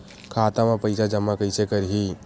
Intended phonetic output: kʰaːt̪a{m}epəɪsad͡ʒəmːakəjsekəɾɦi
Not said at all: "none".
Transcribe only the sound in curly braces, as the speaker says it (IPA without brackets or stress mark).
m